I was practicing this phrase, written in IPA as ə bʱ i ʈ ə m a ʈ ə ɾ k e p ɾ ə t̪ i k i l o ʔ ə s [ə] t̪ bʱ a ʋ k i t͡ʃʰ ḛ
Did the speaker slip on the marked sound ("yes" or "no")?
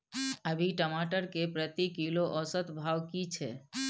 no